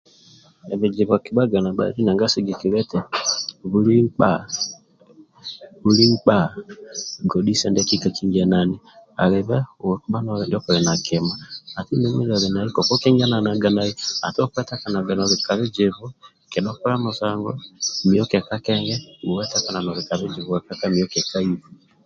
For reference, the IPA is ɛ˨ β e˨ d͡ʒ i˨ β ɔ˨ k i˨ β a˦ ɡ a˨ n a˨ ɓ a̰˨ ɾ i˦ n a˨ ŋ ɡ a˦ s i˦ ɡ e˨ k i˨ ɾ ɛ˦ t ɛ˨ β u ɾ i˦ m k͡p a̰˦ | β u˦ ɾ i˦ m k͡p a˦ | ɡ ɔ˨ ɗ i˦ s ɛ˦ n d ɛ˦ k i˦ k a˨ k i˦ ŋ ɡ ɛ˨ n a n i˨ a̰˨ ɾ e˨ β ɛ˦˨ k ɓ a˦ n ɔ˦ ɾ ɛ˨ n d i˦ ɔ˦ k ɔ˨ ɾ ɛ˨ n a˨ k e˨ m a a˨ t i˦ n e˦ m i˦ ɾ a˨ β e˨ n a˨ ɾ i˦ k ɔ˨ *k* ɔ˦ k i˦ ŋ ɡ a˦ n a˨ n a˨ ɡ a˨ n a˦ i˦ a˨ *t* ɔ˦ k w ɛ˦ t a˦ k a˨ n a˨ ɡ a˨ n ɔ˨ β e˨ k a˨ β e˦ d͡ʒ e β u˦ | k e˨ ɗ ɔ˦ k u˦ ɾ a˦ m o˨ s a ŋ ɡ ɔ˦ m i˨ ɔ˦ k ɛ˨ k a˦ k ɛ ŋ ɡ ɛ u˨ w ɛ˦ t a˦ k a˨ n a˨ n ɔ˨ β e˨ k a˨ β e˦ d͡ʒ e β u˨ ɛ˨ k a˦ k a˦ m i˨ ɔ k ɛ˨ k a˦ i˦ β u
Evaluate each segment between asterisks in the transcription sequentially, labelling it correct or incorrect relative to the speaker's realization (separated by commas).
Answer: correct, correct